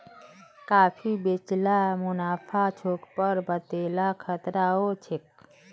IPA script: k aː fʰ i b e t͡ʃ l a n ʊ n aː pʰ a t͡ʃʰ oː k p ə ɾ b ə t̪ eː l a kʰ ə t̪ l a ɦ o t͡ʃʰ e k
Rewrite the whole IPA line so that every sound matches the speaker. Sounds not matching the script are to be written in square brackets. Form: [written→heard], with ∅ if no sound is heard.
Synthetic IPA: k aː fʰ i b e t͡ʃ l a [n→m] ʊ n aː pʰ a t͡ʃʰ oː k p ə ɾ b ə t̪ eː l a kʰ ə t̪ [l→ɾ] a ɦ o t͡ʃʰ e k